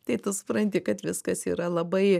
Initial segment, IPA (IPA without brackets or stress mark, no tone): t̪